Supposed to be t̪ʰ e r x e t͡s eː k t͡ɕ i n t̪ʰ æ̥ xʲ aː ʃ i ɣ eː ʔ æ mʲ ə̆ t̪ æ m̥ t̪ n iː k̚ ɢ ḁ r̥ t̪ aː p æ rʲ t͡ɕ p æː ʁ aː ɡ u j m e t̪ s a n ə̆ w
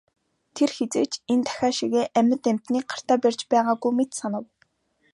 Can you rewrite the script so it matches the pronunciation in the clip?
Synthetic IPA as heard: t̪ʰ e r x e t͡s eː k t͡ɕ e n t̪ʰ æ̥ xʲ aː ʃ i ɣ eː ʔ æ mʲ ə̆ t̪ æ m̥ t̪ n iː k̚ ɢ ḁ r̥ t̪ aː p æ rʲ t͡ɕ p æː ʁ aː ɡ u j m e t̪ s a n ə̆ w